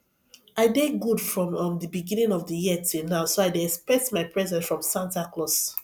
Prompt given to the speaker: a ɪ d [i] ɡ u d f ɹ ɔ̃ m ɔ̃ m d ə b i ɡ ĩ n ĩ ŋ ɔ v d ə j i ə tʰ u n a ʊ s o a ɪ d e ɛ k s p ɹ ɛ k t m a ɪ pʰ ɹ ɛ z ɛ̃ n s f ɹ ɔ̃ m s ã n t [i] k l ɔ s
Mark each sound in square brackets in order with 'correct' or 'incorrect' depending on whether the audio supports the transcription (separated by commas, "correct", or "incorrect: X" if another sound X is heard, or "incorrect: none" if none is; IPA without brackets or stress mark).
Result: incorrect: e, incorrect: a